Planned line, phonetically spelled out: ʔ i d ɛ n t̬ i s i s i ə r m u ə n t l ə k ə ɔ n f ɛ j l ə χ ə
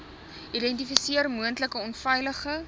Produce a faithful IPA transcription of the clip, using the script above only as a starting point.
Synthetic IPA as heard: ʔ i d ɛ n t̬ i f i s i ə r m u ə n t l ə k ə ɔ n f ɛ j l ə χ ə